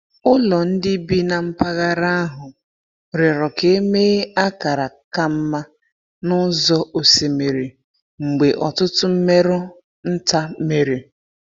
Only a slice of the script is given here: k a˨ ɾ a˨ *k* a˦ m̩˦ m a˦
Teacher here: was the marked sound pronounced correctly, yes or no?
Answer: yes